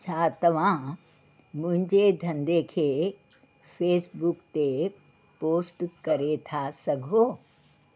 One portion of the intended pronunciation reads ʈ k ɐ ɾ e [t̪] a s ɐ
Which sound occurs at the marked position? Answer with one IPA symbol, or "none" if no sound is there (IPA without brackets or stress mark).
t̪ʰ